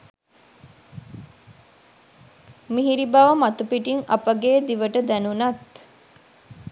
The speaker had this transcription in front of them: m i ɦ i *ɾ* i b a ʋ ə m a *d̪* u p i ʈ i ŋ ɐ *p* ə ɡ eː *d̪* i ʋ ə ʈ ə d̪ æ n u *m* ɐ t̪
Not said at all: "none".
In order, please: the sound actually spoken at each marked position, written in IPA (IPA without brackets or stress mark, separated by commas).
ɾ, t̪, p, d̪, n